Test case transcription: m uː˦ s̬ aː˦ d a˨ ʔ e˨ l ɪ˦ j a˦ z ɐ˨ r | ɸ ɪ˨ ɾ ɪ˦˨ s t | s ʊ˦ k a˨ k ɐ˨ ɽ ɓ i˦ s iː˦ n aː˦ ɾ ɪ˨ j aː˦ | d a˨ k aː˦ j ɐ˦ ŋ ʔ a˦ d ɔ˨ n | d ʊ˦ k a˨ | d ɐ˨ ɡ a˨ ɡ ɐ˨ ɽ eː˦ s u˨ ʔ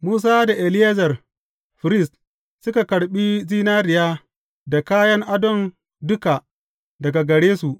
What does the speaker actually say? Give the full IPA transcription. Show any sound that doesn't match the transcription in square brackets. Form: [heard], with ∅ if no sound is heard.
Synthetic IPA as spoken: m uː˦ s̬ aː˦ d a˨ ʔ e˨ l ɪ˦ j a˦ z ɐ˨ r | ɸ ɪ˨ ɾ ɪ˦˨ s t | s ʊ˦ k a˨ k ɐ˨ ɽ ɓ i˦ [z] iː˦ n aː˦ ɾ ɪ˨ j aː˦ | d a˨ k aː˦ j ɐ˦ ŋ ʔ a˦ d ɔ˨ n | d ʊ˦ k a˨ | d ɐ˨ ɡ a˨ ɡ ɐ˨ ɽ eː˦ s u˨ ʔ